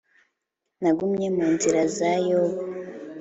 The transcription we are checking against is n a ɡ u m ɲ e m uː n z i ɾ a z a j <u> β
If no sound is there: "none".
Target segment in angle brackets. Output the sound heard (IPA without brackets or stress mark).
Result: o